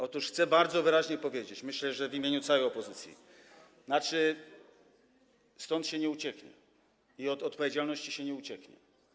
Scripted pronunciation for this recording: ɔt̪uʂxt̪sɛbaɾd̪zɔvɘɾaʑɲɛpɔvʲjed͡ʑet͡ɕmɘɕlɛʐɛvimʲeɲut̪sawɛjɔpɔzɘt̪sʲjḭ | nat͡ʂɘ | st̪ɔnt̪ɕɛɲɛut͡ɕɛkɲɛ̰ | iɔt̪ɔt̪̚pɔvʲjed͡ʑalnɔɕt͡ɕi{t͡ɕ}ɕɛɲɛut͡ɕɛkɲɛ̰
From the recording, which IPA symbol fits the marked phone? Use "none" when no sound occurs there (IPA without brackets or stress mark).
none